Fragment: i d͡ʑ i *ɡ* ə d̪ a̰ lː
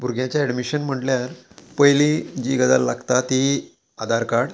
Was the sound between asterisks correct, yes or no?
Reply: yes